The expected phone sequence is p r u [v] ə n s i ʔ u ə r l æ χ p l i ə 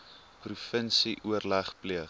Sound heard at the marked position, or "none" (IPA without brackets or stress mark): f